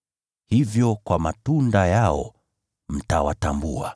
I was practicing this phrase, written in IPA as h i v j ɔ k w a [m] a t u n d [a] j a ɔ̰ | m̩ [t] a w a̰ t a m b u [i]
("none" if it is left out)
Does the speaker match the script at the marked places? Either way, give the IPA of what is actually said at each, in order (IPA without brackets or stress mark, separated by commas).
m, a, t, a